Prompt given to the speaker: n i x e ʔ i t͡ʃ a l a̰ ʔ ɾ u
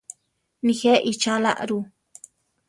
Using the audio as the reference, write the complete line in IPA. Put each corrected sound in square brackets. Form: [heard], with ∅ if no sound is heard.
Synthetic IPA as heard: n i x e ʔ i t͡ʃ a l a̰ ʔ ɾ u